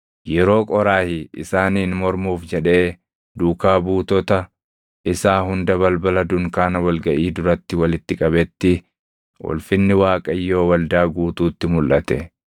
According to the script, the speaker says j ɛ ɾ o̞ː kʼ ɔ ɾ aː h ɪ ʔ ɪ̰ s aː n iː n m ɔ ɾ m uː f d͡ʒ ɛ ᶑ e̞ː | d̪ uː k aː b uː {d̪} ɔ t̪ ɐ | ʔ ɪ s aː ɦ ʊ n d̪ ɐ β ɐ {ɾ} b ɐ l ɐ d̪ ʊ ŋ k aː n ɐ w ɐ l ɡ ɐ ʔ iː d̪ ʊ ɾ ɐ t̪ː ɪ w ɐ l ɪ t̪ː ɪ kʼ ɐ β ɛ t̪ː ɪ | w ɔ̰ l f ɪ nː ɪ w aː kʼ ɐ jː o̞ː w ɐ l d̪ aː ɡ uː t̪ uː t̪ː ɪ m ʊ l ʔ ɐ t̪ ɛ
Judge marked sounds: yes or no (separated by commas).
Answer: no, no